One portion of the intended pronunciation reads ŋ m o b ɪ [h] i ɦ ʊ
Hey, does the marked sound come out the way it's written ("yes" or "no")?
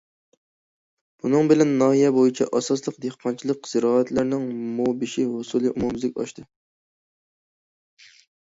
no